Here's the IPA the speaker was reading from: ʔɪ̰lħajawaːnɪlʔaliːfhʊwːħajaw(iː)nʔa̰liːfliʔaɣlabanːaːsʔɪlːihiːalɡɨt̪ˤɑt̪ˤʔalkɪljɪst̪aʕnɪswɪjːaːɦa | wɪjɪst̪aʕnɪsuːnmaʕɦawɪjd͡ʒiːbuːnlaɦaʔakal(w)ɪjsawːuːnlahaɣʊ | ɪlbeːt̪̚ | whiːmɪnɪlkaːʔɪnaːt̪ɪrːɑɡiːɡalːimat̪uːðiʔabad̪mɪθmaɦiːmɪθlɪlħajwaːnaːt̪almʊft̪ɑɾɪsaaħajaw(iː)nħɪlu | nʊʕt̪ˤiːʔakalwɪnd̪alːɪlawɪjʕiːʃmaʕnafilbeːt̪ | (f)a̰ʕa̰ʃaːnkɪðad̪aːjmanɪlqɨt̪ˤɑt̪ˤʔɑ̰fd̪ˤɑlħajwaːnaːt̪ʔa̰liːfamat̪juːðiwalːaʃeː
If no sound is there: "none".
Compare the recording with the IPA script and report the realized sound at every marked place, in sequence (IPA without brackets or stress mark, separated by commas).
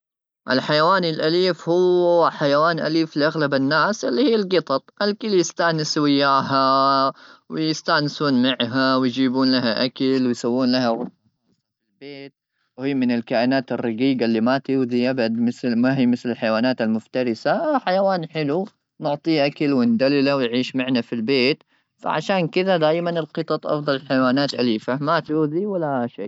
aː, w, aː, f